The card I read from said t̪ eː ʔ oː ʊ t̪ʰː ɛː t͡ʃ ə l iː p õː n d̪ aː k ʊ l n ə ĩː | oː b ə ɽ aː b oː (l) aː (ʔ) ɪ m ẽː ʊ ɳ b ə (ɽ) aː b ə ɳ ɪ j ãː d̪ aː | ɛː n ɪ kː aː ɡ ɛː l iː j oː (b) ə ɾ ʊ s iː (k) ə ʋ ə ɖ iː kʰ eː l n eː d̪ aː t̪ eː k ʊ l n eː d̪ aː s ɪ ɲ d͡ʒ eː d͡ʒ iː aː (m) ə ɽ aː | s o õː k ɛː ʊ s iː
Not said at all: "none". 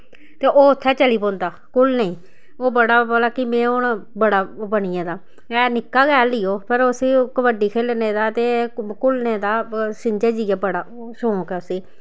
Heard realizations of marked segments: l, k, ɽ, p, k, b

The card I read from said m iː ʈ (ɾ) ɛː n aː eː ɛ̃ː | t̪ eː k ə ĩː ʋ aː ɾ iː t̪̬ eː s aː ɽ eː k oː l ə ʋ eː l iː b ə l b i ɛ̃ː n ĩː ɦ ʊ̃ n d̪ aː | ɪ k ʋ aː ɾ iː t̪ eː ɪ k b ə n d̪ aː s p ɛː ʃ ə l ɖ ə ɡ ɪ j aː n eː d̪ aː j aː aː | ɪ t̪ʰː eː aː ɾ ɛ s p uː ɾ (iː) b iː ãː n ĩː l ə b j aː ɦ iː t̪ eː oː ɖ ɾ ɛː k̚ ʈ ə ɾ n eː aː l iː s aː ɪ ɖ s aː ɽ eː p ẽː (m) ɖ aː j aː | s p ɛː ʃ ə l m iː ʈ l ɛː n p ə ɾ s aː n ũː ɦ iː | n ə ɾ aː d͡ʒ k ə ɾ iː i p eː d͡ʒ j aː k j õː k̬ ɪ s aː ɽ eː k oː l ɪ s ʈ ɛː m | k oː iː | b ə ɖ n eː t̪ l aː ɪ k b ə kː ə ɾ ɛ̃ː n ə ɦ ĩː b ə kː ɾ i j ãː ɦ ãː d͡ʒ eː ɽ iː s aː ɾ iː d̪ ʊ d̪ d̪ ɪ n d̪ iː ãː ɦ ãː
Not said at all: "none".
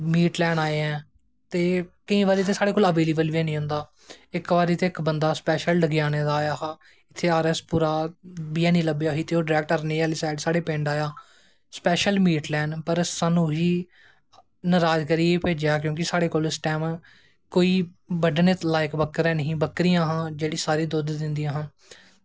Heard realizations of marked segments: l, aː, ɳ

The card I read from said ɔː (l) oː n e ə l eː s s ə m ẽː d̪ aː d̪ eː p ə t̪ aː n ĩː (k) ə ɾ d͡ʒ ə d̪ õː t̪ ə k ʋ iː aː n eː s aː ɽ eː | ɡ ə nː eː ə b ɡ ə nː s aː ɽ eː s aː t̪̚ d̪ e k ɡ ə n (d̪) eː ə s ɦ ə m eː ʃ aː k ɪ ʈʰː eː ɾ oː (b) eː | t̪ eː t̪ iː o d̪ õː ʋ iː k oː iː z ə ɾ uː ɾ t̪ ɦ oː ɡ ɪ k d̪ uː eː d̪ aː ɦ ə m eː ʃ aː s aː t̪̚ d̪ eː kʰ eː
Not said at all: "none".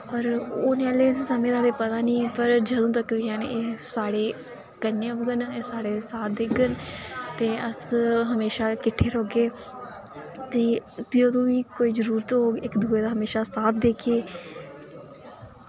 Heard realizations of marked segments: ɾ, p, t̪, ɡ

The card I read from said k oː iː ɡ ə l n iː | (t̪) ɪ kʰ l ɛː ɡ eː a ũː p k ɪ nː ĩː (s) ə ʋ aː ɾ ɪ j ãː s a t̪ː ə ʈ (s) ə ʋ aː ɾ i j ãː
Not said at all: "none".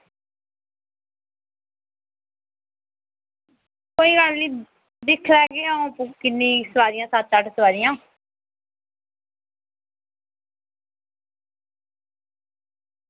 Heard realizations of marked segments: d̪, s, s

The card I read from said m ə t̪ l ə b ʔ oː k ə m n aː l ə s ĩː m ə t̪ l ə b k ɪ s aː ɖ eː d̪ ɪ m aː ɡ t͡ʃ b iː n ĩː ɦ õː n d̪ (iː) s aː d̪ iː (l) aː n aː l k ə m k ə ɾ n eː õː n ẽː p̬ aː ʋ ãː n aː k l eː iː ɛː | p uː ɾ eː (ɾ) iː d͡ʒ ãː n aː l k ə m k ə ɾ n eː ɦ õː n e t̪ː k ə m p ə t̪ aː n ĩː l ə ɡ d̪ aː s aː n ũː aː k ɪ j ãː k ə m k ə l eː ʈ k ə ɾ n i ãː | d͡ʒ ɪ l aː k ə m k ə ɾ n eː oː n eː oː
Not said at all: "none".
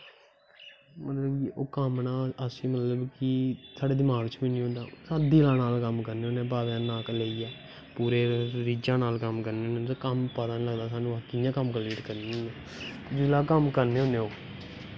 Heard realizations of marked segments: aː, l, ɾ

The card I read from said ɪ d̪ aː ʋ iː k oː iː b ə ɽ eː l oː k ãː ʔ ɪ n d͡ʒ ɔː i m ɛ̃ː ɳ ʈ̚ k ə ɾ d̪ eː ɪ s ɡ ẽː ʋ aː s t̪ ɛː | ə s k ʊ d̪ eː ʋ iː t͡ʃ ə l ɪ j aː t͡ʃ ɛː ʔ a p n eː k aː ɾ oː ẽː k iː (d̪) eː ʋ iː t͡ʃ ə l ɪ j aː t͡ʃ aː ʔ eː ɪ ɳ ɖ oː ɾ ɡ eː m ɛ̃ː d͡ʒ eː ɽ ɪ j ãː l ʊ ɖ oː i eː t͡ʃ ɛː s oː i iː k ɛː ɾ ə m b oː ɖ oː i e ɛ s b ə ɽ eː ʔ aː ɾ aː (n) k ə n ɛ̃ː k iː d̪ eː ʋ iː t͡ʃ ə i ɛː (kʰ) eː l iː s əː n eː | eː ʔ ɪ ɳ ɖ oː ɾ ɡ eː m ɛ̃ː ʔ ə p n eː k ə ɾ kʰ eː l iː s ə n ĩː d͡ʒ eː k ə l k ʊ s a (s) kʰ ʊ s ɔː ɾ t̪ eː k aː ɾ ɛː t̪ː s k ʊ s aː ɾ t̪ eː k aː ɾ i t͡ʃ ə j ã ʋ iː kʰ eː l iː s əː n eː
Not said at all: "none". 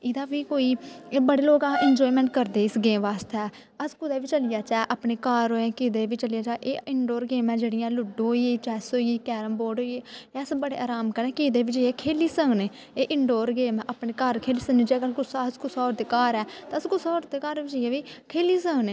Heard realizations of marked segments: d̪, m, kʰ, s

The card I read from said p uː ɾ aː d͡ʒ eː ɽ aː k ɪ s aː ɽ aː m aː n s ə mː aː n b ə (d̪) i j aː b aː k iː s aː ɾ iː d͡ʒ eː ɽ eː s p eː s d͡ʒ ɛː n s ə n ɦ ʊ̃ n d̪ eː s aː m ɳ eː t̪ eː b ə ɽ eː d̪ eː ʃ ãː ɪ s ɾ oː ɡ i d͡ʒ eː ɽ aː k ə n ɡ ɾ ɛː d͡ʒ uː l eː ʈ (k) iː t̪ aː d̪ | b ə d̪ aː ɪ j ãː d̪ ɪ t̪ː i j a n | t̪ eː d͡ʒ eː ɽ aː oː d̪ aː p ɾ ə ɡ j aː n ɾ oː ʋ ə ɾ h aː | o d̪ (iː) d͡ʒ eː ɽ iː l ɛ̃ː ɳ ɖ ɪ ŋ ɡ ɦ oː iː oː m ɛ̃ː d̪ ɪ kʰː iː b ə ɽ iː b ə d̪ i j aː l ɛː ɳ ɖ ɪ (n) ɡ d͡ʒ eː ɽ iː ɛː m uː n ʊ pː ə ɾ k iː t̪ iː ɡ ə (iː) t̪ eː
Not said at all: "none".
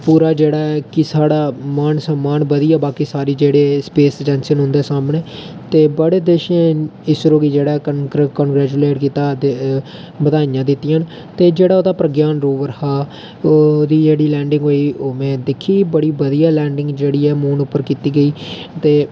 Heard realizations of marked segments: d̪, k, iː, ŋ, iː

